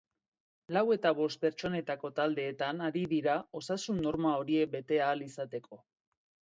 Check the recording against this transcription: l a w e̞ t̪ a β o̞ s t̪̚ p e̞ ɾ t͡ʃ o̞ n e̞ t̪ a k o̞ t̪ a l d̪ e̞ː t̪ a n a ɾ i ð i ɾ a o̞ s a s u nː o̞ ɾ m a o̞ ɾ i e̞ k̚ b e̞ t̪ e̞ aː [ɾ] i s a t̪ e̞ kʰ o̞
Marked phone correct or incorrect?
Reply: incorrect